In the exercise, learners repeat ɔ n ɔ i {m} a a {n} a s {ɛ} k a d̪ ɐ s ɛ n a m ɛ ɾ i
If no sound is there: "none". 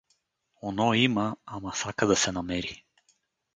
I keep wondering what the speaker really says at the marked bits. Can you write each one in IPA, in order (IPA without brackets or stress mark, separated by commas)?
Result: m, m, a